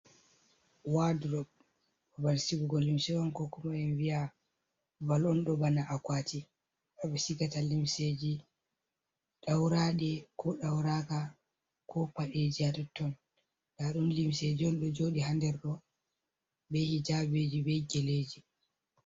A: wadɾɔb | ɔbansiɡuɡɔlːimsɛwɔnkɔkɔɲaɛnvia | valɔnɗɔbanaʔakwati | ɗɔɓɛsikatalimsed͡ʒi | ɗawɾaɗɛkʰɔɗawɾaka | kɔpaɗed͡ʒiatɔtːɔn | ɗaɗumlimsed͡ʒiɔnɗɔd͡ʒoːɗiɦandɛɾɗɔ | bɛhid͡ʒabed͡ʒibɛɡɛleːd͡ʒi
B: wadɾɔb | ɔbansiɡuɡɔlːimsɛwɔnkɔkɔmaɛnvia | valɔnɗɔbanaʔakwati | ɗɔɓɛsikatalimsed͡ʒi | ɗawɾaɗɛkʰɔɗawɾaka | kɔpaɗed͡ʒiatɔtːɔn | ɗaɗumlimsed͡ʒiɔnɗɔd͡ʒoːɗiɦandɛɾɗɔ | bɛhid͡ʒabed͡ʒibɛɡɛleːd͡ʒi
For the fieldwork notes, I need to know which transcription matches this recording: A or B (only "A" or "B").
B